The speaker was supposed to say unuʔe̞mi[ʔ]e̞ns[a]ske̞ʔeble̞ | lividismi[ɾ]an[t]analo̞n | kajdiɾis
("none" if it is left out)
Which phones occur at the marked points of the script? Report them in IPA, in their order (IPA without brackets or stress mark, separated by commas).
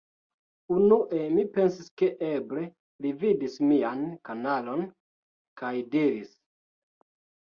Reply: p, i, none, k